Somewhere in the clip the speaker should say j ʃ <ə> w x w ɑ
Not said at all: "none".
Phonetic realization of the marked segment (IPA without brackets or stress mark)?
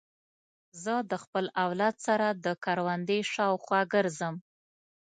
ɑ